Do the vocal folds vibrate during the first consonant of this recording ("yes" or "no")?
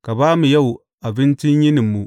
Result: no